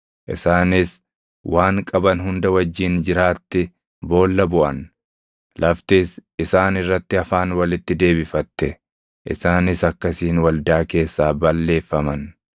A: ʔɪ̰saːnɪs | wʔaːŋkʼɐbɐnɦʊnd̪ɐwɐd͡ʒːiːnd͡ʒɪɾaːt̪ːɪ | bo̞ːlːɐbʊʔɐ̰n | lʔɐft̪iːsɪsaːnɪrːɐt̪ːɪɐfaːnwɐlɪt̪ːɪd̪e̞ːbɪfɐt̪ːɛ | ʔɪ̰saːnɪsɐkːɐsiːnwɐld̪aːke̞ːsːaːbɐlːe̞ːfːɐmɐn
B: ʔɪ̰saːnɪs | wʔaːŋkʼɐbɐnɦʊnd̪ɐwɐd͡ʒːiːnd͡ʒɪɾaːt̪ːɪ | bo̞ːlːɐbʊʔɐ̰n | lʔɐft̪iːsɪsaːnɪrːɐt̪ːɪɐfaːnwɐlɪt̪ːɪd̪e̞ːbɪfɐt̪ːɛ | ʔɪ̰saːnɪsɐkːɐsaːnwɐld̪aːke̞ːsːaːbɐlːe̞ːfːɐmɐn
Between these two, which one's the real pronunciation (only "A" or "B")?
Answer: A